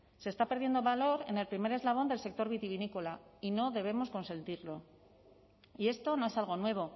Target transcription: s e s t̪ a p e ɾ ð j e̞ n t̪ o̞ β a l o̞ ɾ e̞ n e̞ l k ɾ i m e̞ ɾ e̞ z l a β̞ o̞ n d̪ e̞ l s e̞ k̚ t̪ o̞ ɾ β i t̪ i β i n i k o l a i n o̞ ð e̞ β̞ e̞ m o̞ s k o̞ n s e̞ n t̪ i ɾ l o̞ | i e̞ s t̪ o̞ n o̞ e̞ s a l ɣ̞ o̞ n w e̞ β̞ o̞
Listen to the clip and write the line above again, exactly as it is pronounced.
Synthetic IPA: s e s t̪ a p e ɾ ð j e̞ n d̪ o̞ β a l o̞ ɾ e̞ n e̞ l p ɾ i m e̞ ɾ e̞ z l a β̞ o̞ n d̪ e̞ l s e̞ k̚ t̪ o̞ ɾ β i t̪ i β i n i k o l a i n o̞ ð e̞ β̞ e̞ m o̞ s k o̞ n s e̞ n t̪ i ɾ l o̞ | i e̞ s t̪ o̞ n o̞ e̞ s a l ɣ̞ o̞ n w e̞ β̞ o̞

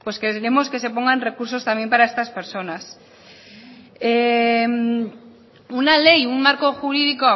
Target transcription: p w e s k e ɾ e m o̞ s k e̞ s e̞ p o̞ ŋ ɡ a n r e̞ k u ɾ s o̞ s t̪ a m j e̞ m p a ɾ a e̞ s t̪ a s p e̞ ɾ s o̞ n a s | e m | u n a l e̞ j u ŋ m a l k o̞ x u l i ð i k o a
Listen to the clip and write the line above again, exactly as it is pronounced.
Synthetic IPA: p w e s k e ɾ e m o̞ s k e̞ s e̞ p o̞ ŋ ɡ a n r e̞ k u ɾ s o̞ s t̪ a m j e̞ m p a ɾ a e̞ s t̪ a s p e̞ ɾ s o̞ n a s | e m | u n a l e̞ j u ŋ m a ɾ k o̞ x u ɾ i ð i k o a

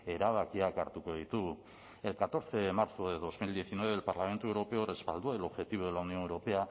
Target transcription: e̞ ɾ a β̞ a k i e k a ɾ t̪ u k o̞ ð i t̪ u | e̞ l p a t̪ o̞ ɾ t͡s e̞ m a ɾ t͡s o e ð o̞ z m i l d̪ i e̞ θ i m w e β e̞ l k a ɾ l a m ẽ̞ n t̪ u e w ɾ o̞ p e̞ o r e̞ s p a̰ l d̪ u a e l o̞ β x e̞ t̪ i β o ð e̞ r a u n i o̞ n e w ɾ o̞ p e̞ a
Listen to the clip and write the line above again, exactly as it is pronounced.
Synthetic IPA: e̞ ɾ a β̞ a k i a k a ɾ t̪ u k o̞ ð i t̪ u | e̞ l k a t̪ o̞ ɾ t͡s e̞ m a ɾ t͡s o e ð o̞ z m i l d̪ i e̞ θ i n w e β e̞ l p a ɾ l a m e̞ n t̪ u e w ɾ o̞ p e̞ o r e̞ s p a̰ l d̪ u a e l o̞ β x e̞ t̪ i β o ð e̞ l a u n i o̞ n e w ɾ o̞ p e̞ a

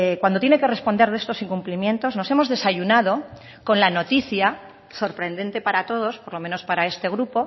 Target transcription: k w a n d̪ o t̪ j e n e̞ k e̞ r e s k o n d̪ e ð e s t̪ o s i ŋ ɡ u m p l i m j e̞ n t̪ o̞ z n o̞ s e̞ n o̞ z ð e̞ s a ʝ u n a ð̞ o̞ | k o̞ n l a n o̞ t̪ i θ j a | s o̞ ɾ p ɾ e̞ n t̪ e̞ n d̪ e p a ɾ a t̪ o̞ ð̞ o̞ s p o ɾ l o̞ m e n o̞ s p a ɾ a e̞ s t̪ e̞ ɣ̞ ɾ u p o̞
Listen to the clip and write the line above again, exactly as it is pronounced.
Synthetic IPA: k w a n d̪ o t̪ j e n e̞ k e̞ r e s p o n d̪ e ð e s t̪ o s i ŋ k u m p l i m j e̞ n t̪ o̞ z n o̞ s e̞ m o̞ z ð e̞ s a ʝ u n a ð̞ o̞ | k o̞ n l a n o̞ t̪ i θ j a | s o̞ ɾ p ɾ e̞ n d̪ e̞ n t̪ e p a ɾ a t̪ o̞ ð̞ o̞ s p o ɾ l o̞ m e n o̞ s p a ɾ a e̞ s t̪ e̞ ɣ̞ ɾ u p o̞

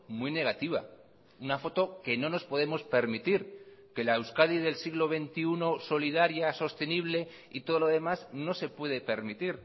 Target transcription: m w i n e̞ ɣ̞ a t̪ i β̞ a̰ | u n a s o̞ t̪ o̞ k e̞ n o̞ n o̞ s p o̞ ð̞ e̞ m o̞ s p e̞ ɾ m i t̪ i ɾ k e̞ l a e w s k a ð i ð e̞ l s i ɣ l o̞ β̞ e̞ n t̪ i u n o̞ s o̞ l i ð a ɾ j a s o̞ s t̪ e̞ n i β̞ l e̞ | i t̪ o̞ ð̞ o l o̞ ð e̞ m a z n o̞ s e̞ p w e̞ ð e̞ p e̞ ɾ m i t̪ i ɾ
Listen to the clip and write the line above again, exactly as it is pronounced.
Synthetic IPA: m w i n e̞ ɣ̞ a t̪ i β̞ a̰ | u n a f o̞ t̪ o̞ k e̞ n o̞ n o̞ s p o̞ ð̞ e̞ m o̞ s p e̞ ɾ m i t̪ i ɾ k e̞ l a e w s k a ð i ð e̞ l s i ɣ l o̞ β̞ e̞ n t̪ i u n o̞ s o̞ l i ð a ɾ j a s o̞ s t̪ e̞ n i β̞ l e̞ | i t̪ o̞ ð̞ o l o̞ ð e̞ m a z n o̞ s e̞ p w e̞ ð e̞ p e̞ ɾ m i t̪ i ɾ

